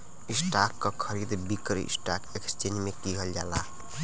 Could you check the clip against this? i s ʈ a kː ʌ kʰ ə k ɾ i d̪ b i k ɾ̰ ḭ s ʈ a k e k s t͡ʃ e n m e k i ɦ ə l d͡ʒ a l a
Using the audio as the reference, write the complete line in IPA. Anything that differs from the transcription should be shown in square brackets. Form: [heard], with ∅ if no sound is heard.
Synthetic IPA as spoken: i s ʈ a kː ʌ kʰ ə [∅] ɾ i d̪ b i k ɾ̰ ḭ s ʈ a k e k s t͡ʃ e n m e k i ɦ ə l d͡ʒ a l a